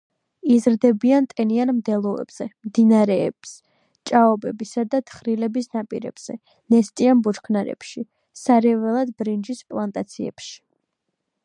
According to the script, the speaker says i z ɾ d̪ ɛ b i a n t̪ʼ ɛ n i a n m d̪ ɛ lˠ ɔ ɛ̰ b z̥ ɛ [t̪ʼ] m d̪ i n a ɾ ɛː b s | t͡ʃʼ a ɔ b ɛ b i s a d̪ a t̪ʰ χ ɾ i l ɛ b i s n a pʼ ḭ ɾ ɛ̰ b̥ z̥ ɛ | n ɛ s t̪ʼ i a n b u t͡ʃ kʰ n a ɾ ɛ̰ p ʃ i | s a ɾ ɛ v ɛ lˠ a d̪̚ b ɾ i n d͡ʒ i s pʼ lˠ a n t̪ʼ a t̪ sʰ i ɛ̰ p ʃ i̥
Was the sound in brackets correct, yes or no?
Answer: no